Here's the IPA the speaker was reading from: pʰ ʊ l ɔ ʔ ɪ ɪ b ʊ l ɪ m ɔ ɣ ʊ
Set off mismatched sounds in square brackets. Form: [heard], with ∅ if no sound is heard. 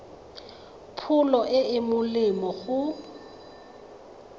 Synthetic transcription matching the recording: pʰ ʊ l ɔ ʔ ɪ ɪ [m] ʊ l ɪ m ɔ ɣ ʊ